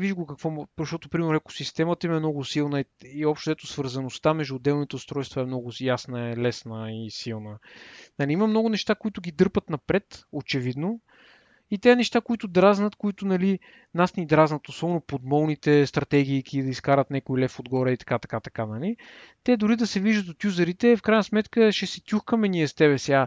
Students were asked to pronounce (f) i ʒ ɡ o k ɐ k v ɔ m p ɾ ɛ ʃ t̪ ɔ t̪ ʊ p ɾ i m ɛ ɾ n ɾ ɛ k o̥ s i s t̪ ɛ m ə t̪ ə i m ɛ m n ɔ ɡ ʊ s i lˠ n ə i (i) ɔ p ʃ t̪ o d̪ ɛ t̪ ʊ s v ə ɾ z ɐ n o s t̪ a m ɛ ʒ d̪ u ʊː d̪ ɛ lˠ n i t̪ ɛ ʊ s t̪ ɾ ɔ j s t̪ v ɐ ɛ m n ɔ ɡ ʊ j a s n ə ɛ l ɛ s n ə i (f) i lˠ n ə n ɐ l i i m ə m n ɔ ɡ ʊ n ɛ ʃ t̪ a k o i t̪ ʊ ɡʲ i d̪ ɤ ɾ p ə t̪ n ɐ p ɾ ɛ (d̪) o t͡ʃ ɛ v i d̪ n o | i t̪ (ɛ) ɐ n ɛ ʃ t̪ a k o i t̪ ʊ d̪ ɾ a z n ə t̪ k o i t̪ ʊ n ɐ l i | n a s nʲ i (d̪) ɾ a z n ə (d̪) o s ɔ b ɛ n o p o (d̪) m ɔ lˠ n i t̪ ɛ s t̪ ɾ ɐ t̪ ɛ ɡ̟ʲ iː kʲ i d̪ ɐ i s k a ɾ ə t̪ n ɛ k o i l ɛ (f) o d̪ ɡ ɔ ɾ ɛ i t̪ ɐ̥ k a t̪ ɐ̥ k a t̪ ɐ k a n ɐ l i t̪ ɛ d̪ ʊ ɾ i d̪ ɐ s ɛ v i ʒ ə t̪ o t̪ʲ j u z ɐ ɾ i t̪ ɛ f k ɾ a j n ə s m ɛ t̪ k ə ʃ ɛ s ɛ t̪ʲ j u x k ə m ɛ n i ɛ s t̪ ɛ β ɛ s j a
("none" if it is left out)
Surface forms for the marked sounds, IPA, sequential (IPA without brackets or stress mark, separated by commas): v, i, s, t̪, ɛ, d̪, t̪, d̪, f